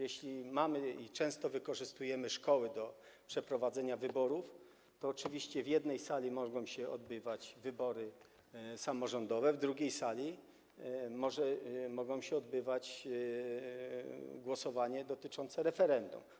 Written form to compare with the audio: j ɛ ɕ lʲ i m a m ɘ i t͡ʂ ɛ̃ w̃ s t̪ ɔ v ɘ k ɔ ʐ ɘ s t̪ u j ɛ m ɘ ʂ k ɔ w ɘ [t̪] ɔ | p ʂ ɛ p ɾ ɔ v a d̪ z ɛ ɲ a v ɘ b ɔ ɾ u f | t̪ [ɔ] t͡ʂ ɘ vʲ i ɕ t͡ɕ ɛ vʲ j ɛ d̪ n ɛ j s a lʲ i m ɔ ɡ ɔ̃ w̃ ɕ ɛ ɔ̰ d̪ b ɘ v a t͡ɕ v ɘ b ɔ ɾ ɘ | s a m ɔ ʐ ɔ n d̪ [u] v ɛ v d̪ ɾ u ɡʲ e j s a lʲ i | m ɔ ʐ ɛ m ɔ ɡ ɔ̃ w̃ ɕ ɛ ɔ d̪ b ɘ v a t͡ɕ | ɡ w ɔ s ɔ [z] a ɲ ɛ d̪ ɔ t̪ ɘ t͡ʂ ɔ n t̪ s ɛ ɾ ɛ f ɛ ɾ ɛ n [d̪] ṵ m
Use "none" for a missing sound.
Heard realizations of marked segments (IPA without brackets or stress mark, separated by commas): d̪, ɔː, ɔ, v, d̪